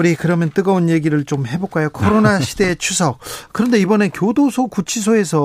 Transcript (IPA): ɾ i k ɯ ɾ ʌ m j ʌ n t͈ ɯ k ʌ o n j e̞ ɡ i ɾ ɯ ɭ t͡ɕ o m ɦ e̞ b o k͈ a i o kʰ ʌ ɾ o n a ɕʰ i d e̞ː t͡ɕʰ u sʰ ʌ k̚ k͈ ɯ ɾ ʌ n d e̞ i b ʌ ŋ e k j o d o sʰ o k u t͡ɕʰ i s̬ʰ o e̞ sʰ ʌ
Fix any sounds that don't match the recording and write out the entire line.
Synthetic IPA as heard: ɾ i k ɯ ɾ ʌ m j ʌ n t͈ ɯ ɡ ʌ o n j e̞ ɡ i ɾ ɯ ɭ t͡ɕ o m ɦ e̞ b o k͈ a j o kʰ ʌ ɾ o n a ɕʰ i d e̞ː t͡ɕʰ u sʰ ʌ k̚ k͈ ɯ ɾ ʌ n d e̞ i b ʌ n e k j o d o sʰ o k u t͡ɕʰ i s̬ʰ o e̞ sʰ ʌ